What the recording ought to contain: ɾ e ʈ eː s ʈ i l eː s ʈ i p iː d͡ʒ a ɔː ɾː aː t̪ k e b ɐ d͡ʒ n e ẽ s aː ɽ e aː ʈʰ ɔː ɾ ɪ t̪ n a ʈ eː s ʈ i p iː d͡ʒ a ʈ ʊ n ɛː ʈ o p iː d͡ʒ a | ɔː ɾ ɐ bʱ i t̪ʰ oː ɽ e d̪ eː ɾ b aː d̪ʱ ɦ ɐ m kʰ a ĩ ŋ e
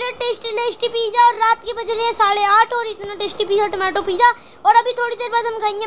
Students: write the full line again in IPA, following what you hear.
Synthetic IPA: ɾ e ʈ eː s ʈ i l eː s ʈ i p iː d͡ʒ a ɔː ɾː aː t̪ k e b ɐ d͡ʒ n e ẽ s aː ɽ e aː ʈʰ ɔː ɾ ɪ t̪ n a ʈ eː s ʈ i p iː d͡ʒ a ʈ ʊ m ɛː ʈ o p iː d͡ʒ a | ɔː ɾ ɐ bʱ i t̪ʰ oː ɽ i d̪ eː ɾ b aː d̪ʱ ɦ ɐ m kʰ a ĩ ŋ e